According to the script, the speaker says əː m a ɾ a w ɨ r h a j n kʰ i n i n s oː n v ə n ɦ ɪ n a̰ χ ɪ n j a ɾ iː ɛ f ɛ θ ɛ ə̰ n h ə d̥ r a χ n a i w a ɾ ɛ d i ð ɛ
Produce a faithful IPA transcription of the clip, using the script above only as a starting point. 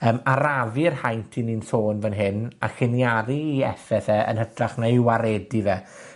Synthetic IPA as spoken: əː m a ɾ a v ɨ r h a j n tʰ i n i n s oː n v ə n ɦ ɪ n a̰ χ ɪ n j a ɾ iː ɛ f ɛ θ ɛ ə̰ n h ə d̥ r a χ n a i w a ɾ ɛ d i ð ɛ